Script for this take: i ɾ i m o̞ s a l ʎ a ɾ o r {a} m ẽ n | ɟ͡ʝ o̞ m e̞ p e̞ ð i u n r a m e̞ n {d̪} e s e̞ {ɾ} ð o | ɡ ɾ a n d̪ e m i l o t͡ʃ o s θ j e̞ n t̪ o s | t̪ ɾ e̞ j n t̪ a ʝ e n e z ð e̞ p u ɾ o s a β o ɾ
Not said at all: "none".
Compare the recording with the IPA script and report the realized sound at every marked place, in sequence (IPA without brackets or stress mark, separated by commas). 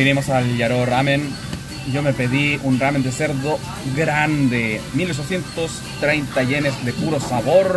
a, d̪, ɾ